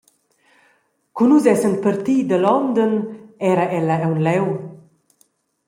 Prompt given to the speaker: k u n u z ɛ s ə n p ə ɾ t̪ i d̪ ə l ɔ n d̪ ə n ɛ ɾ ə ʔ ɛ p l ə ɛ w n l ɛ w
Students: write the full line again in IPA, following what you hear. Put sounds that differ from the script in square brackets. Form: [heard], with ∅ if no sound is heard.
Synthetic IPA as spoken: k u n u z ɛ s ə n p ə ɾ t̪ i d̪ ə l ɔ n d̪ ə n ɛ ɾ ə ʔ ɛ [∅] l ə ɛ w n l ɛ w